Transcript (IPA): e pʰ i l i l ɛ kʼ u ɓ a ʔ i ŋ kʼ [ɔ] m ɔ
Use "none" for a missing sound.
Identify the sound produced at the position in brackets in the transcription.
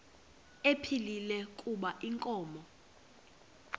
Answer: ɔː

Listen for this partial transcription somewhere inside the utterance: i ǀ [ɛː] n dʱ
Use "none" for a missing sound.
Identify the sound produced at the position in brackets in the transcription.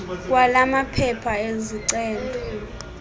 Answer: ɛː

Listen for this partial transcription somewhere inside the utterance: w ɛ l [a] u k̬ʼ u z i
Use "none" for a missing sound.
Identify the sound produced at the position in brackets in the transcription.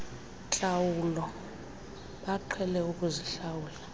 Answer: ɛ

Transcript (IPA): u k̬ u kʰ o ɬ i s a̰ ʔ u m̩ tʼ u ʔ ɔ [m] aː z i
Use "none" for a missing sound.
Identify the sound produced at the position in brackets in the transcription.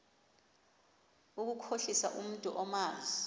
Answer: m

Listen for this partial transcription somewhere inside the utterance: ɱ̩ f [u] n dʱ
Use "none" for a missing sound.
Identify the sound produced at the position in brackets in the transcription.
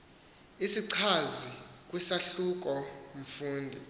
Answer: uː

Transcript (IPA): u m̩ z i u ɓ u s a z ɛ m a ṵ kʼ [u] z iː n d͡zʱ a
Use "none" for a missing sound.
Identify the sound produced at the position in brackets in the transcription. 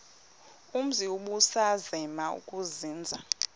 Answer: u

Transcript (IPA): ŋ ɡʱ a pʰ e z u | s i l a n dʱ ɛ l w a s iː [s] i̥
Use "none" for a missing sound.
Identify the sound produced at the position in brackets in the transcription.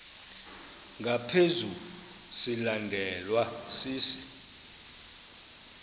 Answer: s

